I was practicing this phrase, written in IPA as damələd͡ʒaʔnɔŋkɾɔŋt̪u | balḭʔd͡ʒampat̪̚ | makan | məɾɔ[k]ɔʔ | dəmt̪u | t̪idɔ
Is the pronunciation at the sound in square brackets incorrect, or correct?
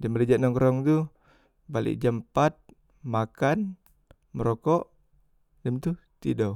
correct